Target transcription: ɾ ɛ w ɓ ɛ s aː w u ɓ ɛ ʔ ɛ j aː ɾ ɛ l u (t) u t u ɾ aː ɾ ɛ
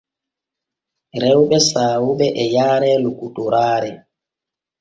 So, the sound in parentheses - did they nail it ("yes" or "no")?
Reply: no